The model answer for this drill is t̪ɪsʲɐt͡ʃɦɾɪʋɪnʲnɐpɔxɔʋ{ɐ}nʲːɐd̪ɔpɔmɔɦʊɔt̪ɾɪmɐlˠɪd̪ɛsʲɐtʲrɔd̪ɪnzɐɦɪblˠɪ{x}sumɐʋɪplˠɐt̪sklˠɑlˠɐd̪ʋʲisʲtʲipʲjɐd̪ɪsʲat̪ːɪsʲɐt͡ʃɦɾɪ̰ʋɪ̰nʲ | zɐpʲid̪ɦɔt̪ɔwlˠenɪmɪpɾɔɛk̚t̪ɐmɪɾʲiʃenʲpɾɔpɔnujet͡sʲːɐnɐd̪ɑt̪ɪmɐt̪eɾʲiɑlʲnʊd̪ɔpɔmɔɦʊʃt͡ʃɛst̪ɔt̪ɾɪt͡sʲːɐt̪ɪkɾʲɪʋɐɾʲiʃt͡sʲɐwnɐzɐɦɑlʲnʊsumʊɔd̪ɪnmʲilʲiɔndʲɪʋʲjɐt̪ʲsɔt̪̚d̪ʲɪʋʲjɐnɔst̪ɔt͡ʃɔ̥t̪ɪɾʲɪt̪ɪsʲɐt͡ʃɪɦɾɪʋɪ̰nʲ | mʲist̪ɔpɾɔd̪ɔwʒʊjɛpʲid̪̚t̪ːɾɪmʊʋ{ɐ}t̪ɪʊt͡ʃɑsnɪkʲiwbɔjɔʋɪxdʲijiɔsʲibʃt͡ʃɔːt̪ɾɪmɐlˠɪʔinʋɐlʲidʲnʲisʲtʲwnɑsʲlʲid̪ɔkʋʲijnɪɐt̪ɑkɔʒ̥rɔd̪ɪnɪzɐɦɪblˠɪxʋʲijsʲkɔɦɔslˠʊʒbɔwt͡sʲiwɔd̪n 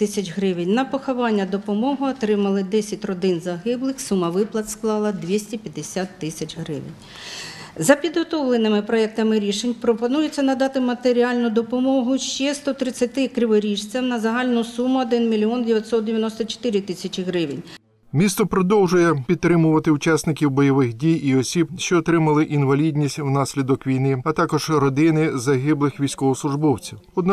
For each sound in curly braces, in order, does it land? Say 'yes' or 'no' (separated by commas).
no, yes, yes